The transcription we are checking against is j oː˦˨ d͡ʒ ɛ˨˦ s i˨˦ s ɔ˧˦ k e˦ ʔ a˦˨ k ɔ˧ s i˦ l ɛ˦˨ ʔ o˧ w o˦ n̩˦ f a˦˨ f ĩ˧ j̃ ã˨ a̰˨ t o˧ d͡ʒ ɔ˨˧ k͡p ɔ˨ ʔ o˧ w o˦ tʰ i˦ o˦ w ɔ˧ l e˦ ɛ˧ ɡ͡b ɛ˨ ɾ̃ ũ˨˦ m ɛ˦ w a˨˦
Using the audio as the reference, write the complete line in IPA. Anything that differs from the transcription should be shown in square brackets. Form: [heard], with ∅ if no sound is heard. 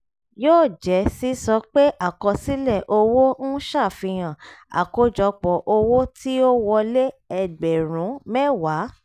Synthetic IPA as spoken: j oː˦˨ d͡ʒ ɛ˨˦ s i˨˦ s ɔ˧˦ [k͡p] e˦ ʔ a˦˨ k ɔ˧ s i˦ l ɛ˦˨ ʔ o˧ w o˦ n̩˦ [ʃ] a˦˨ f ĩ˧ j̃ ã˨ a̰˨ [k] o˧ d͡ʒ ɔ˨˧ k͡p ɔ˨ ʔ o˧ w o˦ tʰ i˦ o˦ w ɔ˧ l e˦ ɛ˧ ɡ͡b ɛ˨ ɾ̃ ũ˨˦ m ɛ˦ w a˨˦

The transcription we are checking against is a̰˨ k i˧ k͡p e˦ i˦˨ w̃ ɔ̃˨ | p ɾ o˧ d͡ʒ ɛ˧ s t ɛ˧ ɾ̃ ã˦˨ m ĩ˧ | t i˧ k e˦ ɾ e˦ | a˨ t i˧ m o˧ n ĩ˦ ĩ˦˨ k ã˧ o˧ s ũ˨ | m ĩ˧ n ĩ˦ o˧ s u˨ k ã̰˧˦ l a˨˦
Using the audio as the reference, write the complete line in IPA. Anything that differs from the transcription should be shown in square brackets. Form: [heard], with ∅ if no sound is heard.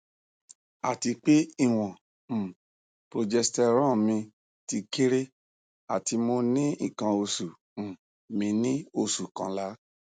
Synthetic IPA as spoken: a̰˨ [t] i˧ k͡p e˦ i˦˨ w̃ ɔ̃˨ | p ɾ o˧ d͡ʒ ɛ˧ s t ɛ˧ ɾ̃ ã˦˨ m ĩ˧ | t i˧ k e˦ ɾ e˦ | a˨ t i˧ m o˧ n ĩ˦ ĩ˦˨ k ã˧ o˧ s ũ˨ | m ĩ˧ n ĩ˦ o˧ s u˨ k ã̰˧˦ l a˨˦

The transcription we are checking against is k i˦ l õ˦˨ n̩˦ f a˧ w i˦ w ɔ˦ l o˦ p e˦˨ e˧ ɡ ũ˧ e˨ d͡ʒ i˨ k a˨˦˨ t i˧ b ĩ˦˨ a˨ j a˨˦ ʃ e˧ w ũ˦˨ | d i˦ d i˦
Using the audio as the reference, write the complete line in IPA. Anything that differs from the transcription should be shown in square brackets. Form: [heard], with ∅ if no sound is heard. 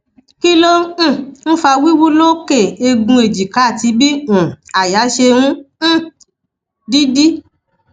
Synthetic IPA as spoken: k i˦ l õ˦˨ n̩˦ f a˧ w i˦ w [u˦] l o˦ [k] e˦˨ e˧ ɡ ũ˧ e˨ d͡ʒ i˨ k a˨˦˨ t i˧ b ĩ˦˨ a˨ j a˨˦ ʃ e˧ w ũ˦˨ | d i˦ d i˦

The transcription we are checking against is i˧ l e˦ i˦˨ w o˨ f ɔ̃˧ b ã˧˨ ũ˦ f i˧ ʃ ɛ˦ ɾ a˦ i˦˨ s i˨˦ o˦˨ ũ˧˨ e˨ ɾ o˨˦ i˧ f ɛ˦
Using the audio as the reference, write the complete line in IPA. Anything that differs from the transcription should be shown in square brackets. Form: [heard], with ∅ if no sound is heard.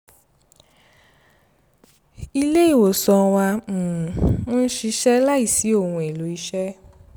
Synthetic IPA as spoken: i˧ l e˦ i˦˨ w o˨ [s] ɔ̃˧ [w] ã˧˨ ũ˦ [ʃ] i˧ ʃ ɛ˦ [l] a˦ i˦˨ s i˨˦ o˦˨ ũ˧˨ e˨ [l] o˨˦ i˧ [ʃ] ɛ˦

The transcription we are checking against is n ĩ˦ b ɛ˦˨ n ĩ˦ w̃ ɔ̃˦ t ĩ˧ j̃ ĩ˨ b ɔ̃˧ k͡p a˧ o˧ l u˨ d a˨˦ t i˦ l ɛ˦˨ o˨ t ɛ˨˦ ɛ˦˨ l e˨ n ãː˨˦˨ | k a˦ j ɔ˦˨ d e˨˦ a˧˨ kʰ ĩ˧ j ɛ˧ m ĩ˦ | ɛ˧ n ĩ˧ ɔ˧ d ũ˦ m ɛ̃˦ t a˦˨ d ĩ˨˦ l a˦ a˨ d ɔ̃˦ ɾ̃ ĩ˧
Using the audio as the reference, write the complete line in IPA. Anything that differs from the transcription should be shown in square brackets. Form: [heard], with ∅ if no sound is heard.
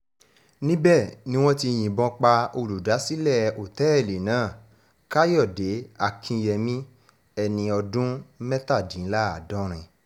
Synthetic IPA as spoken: n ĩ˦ b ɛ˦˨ n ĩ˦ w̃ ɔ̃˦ t [i˧] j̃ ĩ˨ b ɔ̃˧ k͡p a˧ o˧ l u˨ d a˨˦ [s] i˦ l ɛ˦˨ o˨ t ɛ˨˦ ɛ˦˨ l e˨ n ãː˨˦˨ | k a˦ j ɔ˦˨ d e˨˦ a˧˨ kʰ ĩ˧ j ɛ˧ m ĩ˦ | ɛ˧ n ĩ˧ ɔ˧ d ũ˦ m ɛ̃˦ t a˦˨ d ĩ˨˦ l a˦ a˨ d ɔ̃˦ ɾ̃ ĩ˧

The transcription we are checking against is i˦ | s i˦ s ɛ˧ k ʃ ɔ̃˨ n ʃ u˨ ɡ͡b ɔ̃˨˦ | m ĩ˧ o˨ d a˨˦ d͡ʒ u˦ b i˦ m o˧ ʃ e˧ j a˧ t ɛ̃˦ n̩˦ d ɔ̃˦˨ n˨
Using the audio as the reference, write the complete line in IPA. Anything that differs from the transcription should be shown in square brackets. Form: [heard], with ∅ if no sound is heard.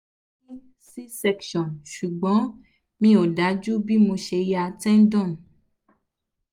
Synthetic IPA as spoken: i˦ | s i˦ s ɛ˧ k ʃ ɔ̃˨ n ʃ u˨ ɡ͡b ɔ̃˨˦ | m ĩ˧ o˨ d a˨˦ d͡ʒ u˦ b i˦ m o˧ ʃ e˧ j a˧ t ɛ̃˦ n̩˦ d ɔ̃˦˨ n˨

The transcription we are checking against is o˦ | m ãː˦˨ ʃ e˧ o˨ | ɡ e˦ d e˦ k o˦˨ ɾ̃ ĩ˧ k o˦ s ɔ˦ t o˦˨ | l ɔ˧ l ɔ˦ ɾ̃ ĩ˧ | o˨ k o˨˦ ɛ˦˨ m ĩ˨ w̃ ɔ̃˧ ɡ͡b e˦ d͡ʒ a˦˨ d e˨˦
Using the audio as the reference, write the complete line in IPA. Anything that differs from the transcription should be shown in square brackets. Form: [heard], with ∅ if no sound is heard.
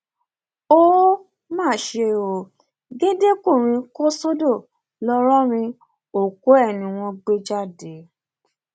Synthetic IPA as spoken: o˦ | m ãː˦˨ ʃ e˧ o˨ | ɡ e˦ d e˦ k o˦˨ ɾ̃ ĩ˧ k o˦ s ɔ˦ [d] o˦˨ | l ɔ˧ [ɾ] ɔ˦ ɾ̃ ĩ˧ | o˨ k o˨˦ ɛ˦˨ [n] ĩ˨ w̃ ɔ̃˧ ɡ͡b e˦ d͡ʒ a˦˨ d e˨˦

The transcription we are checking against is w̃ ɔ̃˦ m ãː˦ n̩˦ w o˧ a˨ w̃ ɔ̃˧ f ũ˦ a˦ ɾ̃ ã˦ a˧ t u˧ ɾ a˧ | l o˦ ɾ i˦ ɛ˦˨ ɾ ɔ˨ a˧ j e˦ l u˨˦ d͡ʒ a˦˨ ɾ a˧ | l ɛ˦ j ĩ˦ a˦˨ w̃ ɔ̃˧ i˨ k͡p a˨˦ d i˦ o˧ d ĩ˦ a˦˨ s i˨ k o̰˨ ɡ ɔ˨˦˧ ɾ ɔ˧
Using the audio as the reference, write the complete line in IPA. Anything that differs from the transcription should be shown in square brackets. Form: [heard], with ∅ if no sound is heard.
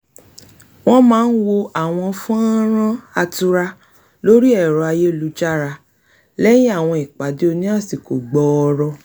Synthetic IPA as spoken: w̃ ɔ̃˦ m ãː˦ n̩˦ w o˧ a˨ w̃ ɔ̃˧ f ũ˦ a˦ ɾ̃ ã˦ a˧ t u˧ ɾ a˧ | l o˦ ɾ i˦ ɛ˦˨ ɾ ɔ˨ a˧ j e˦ l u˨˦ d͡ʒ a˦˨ ɾ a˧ | l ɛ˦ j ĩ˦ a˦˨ w̃ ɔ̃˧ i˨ k͡p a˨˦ d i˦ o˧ [n] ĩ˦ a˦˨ s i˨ k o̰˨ [ɡ͡b] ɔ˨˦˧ ɾ ɔ˧

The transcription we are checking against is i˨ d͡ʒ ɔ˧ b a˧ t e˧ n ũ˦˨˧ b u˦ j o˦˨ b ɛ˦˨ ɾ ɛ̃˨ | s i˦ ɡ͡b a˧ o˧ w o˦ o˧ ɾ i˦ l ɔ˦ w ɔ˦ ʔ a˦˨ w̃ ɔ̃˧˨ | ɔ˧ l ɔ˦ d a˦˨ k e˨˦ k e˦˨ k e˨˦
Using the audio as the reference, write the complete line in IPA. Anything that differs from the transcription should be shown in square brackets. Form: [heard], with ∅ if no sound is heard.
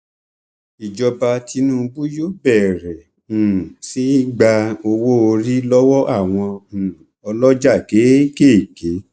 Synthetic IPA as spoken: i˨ d͡ʒ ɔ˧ b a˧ t [i˧] n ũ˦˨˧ b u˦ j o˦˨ b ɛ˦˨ ɾ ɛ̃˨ | s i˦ ɡ͡b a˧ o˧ w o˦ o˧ ɾ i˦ l ɔ˦ w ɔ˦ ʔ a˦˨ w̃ ɔ̃˧˨ | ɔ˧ l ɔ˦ [d͡ʒ] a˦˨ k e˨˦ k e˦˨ k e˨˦

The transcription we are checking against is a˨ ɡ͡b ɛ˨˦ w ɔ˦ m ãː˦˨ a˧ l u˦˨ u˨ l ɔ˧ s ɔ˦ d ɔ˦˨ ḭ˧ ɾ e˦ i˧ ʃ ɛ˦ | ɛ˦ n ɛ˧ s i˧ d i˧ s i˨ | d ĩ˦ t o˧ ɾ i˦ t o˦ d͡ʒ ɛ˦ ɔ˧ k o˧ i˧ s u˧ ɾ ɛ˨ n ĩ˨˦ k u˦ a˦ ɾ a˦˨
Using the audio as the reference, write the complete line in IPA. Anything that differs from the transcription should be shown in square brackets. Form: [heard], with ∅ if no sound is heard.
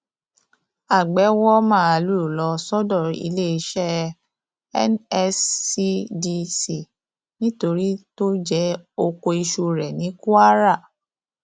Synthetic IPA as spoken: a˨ ɡ͡b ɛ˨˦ w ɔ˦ m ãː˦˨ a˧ l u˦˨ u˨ l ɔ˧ s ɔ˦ d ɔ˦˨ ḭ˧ [l] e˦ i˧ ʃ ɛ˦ | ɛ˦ n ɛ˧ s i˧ d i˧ s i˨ | [n] ĩ˦ t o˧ ɾ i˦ t o˦ d͡ʒ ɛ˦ [o˧] k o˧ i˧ [ʃ] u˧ ɾ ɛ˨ n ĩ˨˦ k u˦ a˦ ɾ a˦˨

